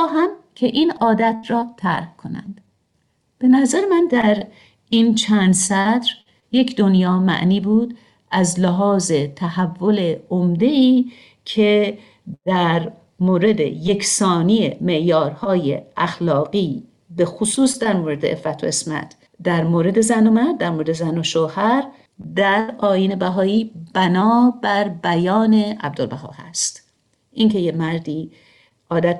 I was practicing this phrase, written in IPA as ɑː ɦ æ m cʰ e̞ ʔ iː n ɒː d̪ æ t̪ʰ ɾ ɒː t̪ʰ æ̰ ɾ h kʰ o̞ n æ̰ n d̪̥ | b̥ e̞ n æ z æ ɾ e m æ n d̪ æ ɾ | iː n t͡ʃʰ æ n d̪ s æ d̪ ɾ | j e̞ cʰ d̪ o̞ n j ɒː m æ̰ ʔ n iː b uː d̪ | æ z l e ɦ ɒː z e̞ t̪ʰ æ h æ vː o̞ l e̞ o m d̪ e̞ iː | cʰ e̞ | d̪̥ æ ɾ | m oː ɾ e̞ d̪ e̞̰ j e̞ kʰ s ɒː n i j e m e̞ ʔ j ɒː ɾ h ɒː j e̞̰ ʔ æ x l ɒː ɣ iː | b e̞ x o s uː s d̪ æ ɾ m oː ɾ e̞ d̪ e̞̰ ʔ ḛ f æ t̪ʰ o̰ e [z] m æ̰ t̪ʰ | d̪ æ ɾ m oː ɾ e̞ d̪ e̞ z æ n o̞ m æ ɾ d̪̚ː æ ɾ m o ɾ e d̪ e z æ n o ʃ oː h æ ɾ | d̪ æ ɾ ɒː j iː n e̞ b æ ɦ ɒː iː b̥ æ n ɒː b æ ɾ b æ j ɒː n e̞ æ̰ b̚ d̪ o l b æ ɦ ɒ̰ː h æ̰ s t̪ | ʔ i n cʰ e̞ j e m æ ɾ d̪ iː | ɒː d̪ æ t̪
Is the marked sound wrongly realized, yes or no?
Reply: yes